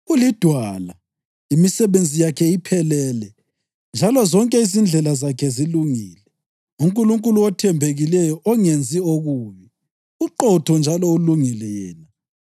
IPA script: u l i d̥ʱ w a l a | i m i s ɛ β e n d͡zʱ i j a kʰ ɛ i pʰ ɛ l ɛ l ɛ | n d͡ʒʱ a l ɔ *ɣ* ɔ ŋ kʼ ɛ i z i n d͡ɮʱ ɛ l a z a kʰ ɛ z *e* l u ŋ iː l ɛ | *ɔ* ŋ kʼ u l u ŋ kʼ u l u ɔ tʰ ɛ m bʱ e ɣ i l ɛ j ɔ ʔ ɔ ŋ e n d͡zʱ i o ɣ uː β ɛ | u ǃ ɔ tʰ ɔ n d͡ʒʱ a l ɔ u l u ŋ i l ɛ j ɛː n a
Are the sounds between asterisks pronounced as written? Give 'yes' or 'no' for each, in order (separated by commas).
no, no, no